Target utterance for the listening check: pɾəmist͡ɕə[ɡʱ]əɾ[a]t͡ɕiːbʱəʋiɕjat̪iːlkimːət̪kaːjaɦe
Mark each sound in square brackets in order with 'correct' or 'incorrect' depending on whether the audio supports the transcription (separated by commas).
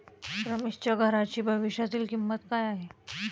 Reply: correct, correct